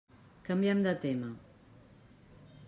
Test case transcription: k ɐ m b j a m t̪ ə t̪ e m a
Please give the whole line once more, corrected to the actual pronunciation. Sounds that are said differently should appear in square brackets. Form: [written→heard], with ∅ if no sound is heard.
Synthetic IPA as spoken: k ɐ m b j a m [t̪→d̪] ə t̪ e m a

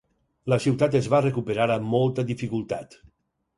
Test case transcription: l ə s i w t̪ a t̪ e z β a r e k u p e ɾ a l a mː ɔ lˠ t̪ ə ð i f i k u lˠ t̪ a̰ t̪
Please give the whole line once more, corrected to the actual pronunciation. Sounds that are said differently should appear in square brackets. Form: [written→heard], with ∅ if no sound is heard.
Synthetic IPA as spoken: l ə s i w t̪ a t̪ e z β a r e k u p e ɾ a [l→ɾ] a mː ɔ lˠ t̪ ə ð i f i k u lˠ t̪ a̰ t̪

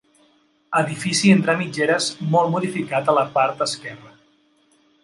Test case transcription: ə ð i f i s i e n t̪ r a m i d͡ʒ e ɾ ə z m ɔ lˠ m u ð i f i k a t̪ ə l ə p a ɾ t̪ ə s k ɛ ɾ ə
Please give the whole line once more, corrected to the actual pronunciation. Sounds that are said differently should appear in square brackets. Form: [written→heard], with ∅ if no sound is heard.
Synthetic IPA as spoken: ə ð i f i s i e n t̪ [r→ɾ] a m i d͡ʒ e ɾ ə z m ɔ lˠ m u ð i f i k a t̪ ə l ə p a ɾ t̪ ə s k ɛ [ɾ→r] ə

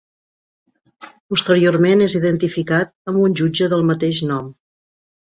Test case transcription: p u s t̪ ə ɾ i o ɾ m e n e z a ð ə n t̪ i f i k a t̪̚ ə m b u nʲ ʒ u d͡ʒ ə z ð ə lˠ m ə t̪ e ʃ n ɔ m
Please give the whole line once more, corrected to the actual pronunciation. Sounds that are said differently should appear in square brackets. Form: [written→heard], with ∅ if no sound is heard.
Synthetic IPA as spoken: p u s t̪ ə ɾ i o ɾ m e n e z [a→i] ð ə n t̪ i f i k a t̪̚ ə m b u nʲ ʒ u d͡ʒ ə [z→∅] ð ə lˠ m ə t̪ e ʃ n ɔ m

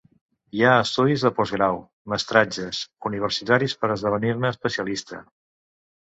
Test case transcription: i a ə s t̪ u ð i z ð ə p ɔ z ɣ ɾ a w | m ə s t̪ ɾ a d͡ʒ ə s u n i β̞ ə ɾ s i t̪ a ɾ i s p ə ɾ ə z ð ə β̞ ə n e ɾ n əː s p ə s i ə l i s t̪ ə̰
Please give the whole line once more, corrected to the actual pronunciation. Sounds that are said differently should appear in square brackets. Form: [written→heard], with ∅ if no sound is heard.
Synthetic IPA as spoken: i a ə s t̪ u ð i z ð ə p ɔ z ɣ ɾ a w | m ə s t̪ ɾ a d͡ʒ ə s u n i β̞ ə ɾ s i t̪ a ɾ i s p ə ɾ ə z ð ə β̞ ə n [e→i] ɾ n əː s p ə s i ə l i s t̪ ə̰

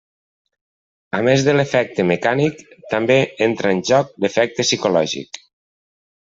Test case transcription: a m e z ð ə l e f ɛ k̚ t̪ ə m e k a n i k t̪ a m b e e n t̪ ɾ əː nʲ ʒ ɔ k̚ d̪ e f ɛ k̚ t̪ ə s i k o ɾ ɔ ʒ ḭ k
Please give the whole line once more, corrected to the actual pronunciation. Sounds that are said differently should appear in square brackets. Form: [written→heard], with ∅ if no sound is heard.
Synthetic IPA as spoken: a m e z ð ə l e f ɛ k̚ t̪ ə m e k a n i k t̪ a m b e e n t̪ ɾ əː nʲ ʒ ɔ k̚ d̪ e f ɛ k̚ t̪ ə s i k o [ɾ→l] ɔ ʒ ḭ k

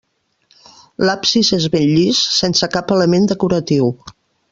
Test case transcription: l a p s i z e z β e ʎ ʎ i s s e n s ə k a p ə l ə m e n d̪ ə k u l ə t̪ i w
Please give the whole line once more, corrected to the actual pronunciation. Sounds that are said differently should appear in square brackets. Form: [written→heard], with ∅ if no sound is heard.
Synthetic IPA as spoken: l a p s i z e z β e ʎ ʎ i s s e n s ə k a p ə l ə m e n d̪ ə k u [l→ɾ] ə t̪ i w

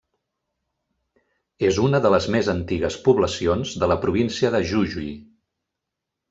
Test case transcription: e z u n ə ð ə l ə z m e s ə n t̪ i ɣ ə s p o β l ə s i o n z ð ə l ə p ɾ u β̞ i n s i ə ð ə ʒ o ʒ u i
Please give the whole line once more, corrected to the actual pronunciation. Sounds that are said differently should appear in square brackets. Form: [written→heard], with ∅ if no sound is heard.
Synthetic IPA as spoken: e z u n ə ð ə l ə z m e [s→z] ə n t̪ i ɣ ə s p [o→u] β l ə s i o n z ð ə l ə p ɾ u β̞ i n s i ə ð ə ʒ [o→u] ʒ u i

